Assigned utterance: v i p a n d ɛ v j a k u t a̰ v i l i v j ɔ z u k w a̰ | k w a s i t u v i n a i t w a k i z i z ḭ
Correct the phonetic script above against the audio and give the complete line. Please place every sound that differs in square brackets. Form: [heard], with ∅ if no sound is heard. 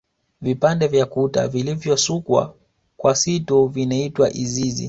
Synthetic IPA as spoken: v i p a n d ɛ v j a k u t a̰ v i l i v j ɔ [s] u k w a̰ | k w a s i t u v i n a i t w a [ʔ] i z i z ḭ